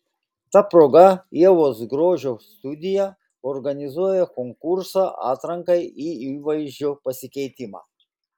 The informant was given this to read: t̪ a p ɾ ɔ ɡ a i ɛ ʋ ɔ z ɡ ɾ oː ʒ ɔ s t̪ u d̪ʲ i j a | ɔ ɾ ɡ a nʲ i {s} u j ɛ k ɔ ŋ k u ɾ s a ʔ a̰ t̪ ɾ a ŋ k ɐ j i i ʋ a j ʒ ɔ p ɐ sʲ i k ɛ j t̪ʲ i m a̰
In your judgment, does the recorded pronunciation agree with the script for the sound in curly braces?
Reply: no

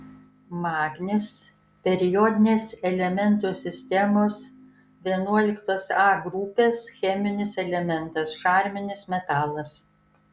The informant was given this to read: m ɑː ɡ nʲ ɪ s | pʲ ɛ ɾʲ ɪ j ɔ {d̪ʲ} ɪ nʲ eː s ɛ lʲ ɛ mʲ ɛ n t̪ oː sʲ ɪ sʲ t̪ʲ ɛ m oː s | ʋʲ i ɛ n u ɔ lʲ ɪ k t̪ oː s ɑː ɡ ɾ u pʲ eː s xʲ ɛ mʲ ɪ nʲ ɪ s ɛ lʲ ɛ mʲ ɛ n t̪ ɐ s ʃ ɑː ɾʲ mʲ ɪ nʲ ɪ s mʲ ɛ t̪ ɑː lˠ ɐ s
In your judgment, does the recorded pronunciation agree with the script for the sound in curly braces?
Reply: yes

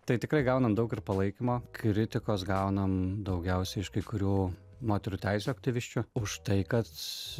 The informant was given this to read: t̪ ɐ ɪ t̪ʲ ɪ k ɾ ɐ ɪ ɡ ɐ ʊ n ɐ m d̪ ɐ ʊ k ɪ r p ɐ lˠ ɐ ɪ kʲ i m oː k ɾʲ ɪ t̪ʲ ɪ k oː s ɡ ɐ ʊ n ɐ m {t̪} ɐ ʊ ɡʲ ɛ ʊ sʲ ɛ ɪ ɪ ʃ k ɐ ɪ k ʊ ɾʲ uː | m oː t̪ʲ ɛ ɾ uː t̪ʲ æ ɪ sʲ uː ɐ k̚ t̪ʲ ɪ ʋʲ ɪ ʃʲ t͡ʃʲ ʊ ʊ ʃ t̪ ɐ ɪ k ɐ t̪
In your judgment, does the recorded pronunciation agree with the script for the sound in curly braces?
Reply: no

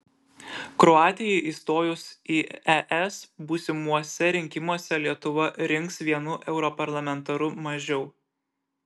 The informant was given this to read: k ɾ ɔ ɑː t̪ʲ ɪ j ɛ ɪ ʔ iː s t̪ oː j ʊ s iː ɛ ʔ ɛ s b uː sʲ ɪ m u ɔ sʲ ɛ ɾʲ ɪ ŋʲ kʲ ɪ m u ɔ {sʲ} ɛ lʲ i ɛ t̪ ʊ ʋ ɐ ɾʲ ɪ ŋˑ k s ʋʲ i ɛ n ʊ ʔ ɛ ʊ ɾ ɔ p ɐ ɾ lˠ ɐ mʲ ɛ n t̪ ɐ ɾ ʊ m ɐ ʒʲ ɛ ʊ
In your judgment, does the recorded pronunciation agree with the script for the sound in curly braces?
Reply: yes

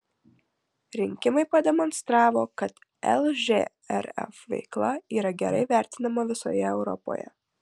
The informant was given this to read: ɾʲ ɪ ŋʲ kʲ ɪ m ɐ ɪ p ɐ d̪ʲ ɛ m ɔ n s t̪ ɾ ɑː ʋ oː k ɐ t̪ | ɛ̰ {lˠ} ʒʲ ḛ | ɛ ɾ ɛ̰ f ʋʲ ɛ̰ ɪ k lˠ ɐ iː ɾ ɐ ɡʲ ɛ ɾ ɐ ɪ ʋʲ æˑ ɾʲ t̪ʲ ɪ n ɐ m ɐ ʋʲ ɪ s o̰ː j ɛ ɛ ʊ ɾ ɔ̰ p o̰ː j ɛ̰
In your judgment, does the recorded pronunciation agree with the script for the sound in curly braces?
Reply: yes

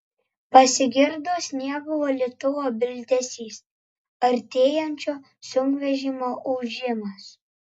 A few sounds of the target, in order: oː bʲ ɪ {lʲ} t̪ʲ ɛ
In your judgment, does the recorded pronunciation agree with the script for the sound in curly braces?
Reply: yes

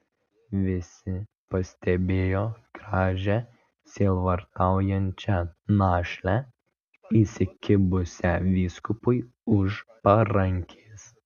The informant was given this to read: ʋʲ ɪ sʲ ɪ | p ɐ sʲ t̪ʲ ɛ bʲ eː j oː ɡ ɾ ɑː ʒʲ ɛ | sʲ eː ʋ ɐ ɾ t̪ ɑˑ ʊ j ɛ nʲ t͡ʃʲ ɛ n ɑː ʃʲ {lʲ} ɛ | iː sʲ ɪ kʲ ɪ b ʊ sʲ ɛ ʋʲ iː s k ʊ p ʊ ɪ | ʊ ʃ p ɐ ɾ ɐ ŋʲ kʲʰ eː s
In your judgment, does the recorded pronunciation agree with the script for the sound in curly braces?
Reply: yes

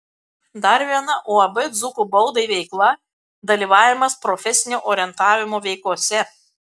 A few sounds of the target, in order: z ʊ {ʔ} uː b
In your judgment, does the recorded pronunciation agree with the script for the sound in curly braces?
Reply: no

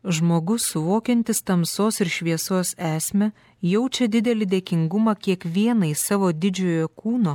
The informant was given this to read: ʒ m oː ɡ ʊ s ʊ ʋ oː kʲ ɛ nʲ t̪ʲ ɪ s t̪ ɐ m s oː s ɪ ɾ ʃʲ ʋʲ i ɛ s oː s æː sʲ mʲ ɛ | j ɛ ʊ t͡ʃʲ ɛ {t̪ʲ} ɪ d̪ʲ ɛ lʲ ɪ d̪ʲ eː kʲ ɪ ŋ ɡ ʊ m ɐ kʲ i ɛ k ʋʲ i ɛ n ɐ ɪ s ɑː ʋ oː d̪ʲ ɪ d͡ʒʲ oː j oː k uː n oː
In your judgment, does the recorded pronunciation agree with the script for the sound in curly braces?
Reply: no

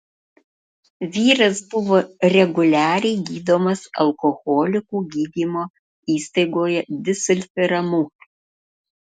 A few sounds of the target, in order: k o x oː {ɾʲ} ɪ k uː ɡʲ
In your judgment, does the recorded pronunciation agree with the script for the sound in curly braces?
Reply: no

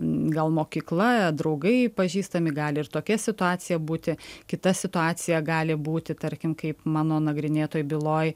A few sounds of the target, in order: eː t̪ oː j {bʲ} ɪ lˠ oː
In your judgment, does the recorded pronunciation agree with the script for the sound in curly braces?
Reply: yes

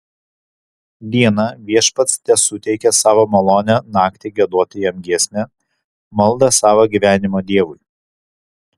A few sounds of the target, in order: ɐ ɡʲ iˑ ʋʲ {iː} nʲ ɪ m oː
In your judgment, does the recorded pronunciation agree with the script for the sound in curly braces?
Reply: no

